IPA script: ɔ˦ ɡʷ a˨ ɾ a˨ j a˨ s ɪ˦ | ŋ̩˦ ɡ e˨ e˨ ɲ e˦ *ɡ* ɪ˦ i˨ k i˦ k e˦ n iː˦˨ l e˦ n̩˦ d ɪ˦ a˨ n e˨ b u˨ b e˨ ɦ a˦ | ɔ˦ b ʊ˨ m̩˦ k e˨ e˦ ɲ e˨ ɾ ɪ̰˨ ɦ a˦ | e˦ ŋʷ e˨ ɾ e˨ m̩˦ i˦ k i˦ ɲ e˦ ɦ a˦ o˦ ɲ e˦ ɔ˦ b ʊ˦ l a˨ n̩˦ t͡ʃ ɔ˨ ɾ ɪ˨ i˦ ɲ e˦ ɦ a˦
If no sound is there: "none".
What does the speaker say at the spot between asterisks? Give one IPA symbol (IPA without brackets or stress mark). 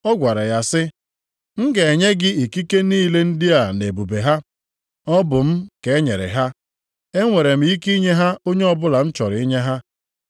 ɡ